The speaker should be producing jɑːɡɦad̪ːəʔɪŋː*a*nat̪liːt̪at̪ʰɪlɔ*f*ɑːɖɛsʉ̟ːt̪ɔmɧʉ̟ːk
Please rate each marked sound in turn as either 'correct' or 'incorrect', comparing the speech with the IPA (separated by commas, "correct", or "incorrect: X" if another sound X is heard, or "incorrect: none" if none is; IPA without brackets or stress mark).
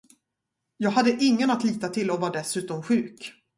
incorrect: ə, incorrect: v